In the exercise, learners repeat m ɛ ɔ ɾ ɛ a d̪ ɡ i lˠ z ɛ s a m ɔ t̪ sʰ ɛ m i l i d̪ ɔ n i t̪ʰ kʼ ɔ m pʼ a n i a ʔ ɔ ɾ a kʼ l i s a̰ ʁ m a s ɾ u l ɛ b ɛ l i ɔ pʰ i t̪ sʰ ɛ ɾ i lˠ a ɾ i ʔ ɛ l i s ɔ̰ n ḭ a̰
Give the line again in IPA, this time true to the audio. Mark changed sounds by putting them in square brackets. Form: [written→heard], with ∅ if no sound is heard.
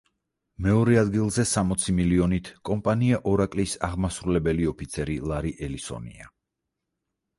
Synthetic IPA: m ɛ ɔ ɾ ɛ a d̪ ɡ i lˠ z ɛ s a m ɔ t̪ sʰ [ɛ→i] m i l i [d̪→∅] ɔ n i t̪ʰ kʼ ɔ m pʼ a n i a ʔ ɔ ɾ a kʼ l i s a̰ ʁ m a s ɾ u l ɛ b ɛ l i ɔ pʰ i t̪ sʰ ɛ ɾ i lˠ a ɾ i ʔ ɛ l i s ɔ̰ n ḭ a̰